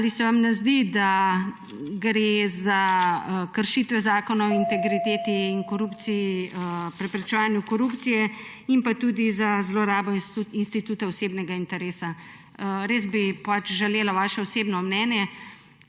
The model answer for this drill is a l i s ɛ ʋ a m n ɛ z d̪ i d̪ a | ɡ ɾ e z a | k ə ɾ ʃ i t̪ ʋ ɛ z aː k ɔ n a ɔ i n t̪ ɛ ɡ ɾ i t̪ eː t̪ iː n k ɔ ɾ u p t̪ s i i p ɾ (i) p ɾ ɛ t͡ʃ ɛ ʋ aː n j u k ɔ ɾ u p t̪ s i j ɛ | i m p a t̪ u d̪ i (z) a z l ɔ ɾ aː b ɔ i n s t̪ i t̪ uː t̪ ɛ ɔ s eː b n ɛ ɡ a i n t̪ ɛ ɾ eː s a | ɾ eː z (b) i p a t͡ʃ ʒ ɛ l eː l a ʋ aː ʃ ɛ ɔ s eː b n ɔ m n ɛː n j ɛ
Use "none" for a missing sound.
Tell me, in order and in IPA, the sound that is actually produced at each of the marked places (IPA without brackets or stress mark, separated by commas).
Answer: ɛ, z, b